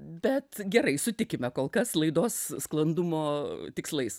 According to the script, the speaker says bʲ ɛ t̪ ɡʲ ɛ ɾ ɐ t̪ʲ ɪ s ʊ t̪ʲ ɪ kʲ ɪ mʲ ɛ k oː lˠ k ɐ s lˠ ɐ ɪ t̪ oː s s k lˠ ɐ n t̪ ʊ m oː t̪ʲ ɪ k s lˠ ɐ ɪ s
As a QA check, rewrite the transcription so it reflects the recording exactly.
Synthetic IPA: bʲ ɛ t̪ ɡʲ ɛ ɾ ɐ ɪ s ʊ t̪ʲ ɪ kʲ ɪ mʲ ɛ k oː lˠ k ɐ s lˠ ɐ ɪ d̪ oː s s k lˠ ɐ n d̪ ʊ m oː t̪ʲ ɪ k s lˠ ɐ ɪ s